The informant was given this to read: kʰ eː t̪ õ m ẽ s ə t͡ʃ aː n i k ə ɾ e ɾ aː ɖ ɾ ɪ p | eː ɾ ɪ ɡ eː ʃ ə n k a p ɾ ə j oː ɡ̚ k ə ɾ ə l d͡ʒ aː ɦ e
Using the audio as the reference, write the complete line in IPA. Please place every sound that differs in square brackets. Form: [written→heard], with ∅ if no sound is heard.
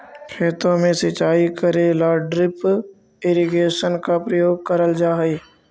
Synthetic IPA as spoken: kʰ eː t̪ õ m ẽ s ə t͡ʃ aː [n→∅] i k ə ɾ e [ɾ→l] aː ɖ ɾ ɪ p | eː ɾ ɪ ɡ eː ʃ ə n k a p ɾ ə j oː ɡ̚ k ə ɾ ə l d͡ʒ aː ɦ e